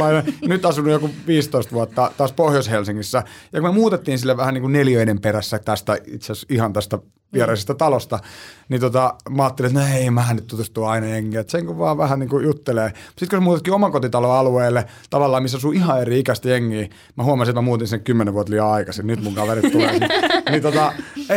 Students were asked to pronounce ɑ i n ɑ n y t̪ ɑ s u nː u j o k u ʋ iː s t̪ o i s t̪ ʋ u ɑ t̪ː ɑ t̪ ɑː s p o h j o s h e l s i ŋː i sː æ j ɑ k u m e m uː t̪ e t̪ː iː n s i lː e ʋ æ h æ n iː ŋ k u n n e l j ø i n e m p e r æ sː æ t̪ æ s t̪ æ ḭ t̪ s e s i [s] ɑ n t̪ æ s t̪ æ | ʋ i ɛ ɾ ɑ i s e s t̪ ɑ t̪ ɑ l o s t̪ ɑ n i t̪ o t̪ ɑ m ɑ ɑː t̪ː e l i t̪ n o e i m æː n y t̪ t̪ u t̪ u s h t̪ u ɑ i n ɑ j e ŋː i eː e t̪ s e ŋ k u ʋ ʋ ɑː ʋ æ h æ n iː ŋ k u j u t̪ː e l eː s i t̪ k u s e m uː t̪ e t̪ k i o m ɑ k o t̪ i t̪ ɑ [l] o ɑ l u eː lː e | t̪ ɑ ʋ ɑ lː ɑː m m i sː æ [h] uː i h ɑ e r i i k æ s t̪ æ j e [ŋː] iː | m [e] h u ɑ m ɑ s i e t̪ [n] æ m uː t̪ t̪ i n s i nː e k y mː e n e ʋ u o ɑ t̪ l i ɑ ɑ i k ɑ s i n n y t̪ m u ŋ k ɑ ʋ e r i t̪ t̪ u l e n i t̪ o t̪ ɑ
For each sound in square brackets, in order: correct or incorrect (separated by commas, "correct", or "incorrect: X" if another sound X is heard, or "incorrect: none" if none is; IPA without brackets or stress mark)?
incorrect: h, correct, incorrect: s, correct, incorrect: æ, incorrect: m